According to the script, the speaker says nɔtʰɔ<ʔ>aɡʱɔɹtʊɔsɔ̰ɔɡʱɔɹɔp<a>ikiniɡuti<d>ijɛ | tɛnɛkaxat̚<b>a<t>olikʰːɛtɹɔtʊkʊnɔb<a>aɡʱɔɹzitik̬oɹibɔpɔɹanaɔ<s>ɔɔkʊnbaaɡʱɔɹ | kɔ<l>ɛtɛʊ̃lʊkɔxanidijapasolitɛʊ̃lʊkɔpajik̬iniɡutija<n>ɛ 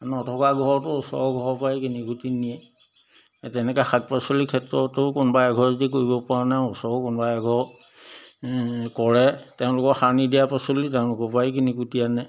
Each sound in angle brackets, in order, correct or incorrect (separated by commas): incorrect, correct, incorrect, incorrect, incorrect, correct, correct, incorrect, correct